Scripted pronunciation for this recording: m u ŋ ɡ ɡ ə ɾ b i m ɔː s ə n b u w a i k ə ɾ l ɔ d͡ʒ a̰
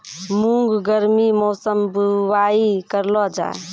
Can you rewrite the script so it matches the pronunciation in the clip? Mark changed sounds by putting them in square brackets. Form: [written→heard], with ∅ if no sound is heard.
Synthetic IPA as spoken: m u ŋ ɡ ɡ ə ɾ [b→m] i m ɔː s ə [n→m] b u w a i k ə ɾ l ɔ d͡ʒ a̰